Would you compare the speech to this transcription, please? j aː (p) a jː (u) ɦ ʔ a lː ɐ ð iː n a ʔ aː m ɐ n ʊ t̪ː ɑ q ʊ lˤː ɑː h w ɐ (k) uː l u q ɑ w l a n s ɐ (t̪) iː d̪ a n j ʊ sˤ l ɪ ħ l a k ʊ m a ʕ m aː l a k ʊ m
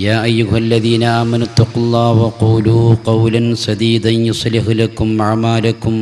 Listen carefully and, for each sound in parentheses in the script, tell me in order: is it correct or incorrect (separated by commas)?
incorrect, incorrect, incorrect, incorrect